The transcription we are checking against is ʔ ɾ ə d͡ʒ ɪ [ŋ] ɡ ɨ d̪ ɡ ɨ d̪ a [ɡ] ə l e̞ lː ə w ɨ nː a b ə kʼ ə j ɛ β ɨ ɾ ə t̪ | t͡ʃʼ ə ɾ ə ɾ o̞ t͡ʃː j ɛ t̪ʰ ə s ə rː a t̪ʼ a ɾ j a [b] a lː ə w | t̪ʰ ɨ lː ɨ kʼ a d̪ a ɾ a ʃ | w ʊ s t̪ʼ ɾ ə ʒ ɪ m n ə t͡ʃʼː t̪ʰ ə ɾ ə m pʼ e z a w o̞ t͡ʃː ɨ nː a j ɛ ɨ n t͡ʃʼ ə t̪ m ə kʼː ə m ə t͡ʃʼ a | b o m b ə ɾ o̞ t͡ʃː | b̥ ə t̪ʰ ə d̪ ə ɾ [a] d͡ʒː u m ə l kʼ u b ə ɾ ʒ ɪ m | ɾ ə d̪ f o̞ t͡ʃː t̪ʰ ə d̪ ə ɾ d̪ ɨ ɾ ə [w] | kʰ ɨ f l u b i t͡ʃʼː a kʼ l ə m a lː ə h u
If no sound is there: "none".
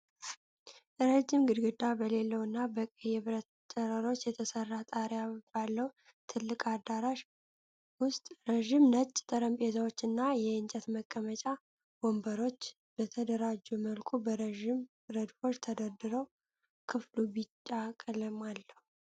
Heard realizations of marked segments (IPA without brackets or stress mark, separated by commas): m, b, b, a, w